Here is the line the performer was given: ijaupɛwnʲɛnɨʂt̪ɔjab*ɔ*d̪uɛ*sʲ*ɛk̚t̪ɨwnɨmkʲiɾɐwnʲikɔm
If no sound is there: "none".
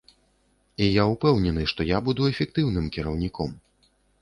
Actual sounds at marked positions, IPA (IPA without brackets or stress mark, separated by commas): u, fʲ